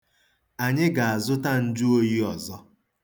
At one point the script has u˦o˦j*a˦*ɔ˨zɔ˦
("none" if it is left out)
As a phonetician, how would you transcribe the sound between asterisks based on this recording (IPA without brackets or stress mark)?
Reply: i˦